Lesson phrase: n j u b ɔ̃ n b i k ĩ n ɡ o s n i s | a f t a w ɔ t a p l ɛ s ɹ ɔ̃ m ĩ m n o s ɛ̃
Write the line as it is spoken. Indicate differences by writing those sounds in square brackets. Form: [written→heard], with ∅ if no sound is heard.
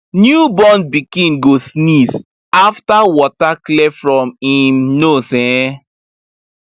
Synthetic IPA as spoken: n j u b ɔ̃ n b i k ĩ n ɡ o s n i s | a f t a w ɔ t a [p→k] l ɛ [s→f] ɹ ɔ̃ m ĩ m n o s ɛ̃